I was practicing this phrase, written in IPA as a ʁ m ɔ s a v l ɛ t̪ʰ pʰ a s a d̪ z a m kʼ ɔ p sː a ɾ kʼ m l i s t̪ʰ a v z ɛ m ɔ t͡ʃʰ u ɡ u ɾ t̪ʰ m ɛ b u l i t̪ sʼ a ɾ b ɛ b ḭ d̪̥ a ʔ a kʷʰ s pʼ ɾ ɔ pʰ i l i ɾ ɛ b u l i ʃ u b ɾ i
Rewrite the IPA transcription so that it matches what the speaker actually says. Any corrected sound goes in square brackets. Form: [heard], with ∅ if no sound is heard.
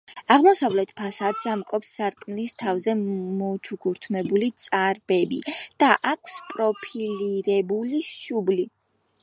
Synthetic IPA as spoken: a ʁ m ɔ s a v l ɛ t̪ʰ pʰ a s a d̪ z a m kʼ ɔ p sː a ɾ kʼ m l i s t̪ʰ a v z ɛ m ɔ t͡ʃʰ u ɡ u ɾ t̪ʰ m ɛ b u l i t̪ sʼ a ɾ b ɛ b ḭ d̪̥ a ʔ a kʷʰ s pʼ ɾ ɔ pʰ i l i ɾ ɛ b u l i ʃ u b [l] i